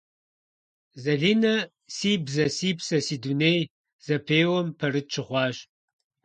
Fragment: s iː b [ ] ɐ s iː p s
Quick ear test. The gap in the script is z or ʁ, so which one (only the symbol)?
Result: z